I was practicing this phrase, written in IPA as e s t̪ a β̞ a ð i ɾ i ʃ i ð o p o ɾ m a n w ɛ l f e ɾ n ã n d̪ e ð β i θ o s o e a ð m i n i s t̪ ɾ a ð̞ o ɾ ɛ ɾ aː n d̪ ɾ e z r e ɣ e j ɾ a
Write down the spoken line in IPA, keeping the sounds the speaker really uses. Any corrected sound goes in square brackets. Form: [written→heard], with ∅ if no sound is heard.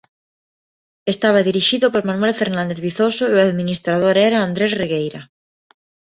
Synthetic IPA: e s t̪ a β̞ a ð i ɾ i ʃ i ð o p o ɾ m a n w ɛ l f e ɾ n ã n d̪ e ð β i θ o s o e a ð m i n i s t̪ ɾ a ð̞ o ɾ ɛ ɾ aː n d̪ ɾ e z r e ɣ e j ɾ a